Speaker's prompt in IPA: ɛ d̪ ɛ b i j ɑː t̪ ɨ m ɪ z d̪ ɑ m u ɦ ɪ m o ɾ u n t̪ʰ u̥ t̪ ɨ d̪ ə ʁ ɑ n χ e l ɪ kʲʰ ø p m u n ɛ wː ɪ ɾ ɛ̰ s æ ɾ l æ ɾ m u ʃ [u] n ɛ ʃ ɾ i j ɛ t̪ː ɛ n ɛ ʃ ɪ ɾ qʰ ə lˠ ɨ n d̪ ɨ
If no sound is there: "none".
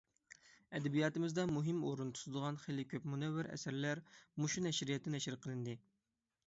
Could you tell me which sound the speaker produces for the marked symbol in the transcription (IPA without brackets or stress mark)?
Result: u